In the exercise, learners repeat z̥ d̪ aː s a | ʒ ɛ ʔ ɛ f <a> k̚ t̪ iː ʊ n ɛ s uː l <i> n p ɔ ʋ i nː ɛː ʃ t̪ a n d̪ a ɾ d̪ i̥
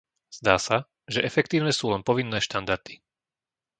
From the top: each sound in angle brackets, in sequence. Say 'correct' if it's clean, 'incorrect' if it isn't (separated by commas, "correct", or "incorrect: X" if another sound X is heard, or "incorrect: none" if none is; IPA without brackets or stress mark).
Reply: incorrect: ɛ, incorrect: ɛ